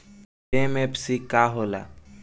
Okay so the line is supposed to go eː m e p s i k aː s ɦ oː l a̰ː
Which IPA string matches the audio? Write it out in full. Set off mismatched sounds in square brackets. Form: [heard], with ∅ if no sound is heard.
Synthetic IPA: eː m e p s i k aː [∅] ɦ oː l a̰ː